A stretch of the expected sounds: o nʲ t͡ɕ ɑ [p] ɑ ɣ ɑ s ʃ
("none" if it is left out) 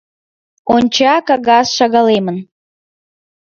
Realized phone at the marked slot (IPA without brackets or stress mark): k